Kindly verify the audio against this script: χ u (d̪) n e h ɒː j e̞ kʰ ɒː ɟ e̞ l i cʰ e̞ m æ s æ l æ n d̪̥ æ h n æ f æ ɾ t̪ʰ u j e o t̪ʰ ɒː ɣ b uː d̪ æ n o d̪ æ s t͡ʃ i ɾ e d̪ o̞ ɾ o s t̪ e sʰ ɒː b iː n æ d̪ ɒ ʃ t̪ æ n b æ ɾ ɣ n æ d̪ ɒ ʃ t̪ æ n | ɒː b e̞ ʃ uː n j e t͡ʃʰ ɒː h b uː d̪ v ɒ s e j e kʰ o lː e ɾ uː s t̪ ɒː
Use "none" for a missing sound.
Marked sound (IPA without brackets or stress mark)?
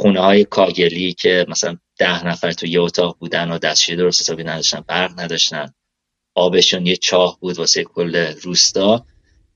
none